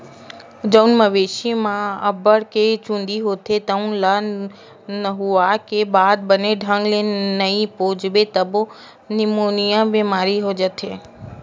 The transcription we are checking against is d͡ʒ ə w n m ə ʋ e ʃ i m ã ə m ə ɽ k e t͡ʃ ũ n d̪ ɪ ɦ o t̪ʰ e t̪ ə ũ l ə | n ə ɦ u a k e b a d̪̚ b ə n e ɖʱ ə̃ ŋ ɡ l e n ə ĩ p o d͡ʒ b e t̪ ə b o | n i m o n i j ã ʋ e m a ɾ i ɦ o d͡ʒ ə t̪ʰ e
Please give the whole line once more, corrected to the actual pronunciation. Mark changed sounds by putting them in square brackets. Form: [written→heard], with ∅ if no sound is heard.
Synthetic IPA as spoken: d͡ʒ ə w n m ə ʋ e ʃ i m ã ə [m→b] ə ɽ k e t͡ʃ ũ n d̪ [ɪ→i] ɦ o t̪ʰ e t̪ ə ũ l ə | n ə ɦ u a k e b a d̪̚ b ə n e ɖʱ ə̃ ŋ ɡ l e n ə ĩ p o d͡ʒ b e t̪ ə b o | n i m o n i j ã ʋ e m a ɾ i ɦ o d͡ʒ ə t̪ʰ e